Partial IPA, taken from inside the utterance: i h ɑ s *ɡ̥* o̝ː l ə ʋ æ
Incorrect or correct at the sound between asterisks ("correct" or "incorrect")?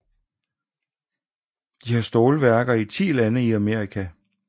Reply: incorrect